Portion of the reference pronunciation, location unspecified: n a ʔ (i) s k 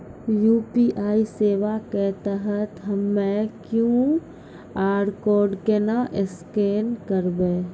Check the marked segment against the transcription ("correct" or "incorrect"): incorrect